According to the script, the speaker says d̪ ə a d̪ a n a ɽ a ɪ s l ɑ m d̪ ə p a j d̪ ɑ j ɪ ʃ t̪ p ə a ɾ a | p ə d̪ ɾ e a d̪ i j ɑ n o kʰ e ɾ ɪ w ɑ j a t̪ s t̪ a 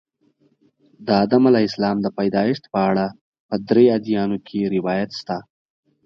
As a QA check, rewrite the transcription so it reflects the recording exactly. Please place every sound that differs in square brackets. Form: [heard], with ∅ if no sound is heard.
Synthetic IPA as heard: d̪ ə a d̪ a [m] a [l] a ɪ s l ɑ m d̪ ə p a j d̪ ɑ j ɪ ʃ t̪ p ə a [ɽ] a | p ə d̪ ɾ e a d̪ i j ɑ n o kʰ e ɾ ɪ w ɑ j a t̪ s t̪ a

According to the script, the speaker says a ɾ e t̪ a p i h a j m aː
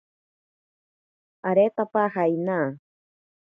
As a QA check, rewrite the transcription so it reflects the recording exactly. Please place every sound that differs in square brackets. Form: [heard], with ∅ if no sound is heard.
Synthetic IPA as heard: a ɾ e t̪ a p [a] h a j [n] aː

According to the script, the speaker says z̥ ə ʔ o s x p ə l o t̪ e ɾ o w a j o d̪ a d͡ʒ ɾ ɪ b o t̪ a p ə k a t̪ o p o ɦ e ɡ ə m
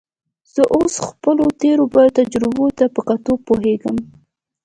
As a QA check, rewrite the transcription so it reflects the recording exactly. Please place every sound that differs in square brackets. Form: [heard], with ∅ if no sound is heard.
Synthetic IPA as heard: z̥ ə ʔ o s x p ə l o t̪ e ɾ o [b] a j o [t̪] a d͡ʒ ɾ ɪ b o t̪ a p ə k a t̪ o p o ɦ e ɡ ə m

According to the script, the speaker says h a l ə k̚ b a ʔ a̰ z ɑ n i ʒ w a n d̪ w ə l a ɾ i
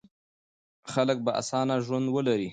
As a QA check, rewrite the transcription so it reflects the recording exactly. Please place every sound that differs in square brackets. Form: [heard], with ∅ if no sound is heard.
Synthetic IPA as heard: [x] a l ə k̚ b a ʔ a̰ [s] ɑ n [a] ʒ w a n d̪ w ə l a ɾ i

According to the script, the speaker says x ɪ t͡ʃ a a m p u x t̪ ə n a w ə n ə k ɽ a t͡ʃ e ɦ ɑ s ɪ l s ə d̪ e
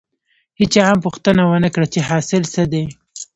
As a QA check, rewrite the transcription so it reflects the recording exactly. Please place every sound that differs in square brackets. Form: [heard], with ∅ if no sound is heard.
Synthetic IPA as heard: [h] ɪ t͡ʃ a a m p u x t̪ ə n a w ə n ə k ɽ a t͡ʃ e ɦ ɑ s ɪ l s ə d̪ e

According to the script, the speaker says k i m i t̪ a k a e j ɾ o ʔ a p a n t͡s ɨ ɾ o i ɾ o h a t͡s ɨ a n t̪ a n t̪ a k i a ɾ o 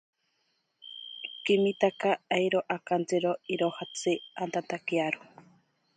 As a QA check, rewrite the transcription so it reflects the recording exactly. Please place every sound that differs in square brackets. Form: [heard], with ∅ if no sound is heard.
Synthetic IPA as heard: k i m i t̪ a k a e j ɾ o ʔ a [k] a n t͡s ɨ ɾ o i ɾ o h a t͡s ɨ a n t̪ a n t̪ a k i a ɾ o

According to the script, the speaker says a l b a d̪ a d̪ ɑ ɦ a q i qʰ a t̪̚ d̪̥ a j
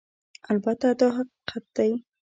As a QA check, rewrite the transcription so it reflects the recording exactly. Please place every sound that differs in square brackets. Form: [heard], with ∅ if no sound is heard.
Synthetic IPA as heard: a l b a [t̪] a d̪ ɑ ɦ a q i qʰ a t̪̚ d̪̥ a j

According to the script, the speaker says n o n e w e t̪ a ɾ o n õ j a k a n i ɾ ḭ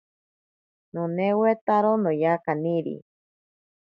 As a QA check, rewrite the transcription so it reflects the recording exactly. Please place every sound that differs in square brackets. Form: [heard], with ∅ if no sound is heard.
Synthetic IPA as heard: n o n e w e t̪ a ɾ o n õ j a k a n i ɾ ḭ

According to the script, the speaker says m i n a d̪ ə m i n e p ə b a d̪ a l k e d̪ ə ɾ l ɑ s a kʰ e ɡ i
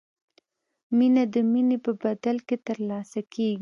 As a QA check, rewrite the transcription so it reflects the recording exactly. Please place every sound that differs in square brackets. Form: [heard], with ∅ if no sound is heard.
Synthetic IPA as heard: m i n a d̪ ə m i n e p ə b a d̪ a l k e [t̪] ə ɾ l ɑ s a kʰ e ɡ i

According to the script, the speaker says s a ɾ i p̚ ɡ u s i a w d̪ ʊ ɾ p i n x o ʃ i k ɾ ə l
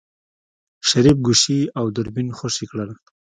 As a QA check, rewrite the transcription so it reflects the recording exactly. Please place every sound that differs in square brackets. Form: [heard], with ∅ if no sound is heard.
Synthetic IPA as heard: [ʃ] a ɾ i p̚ ɡ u [ʃ] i a w d̪ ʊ ɾ [b] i n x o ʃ i k [ɽ] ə l

